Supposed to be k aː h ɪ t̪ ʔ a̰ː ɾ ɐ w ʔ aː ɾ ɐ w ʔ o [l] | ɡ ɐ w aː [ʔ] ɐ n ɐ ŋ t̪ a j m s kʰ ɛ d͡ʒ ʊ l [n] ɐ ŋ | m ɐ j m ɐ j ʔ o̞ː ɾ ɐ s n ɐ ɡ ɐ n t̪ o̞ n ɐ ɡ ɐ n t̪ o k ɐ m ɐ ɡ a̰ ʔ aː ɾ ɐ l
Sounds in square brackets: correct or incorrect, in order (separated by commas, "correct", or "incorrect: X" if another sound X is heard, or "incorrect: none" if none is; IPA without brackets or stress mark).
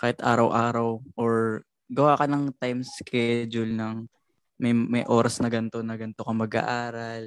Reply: incorrect: ɹ, incorrect: k, correct